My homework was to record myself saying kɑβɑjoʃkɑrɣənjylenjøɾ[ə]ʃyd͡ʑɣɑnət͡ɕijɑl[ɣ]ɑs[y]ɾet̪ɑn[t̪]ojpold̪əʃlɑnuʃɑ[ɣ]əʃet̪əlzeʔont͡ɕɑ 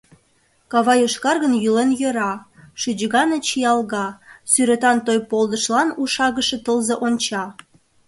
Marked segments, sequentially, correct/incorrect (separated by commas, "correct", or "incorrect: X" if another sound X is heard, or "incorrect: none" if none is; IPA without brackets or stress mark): incorrect: ɑ, correct, correct, correct, correct